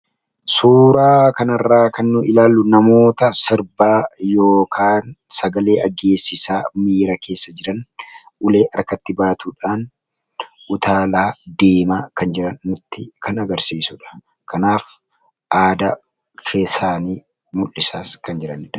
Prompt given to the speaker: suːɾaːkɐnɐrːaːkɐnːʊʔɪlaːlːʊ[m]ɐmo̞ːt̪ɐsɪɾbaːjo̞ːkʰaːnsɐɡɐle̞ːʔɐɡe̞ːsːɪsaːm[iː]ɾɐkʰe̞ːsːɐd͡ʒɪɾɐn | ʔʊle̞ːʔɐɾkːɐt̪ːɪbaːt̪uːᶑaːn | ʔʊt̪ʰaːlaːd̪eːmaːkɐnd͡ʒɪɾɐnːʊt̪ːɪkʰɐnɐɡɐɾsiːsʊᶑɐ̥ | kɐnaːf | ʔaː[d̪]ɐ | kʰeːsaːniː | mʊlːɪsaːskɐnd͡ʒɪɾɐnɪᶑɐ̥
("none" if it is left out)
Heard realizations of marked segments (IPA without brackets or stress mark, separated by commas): n, iː, d̪